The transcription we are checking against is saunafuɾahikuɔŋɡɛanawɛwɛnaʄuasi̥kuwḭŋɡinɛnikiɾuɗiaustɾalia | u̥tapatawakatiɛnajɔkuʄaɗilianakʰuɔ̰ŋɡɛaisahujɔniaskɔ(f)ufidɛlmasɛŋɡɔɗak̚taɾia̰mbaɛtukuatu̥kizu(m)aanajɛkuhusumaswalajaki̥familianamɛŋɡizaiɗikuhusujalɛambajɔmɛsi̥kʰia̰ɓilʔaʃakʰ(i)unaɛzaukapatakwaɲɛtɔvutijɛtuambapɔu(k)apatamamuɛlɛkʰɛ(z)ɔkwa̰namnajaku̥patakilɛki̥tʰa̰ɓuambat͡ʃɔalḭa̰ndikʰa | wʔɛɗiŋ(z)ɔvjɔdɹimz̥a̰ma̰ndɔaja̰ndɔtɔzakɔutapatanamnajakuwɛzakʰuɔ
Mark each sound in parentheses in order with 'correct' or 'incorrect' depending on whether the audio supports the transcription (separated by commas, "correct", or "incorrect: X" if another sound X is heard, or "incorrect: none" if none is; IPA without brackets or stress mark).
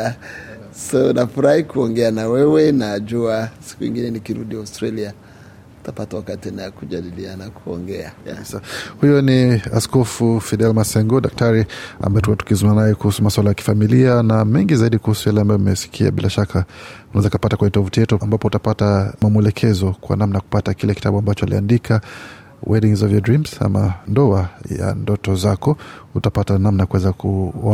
correct, correct, incorrect: a, incorrect: t, correct, correct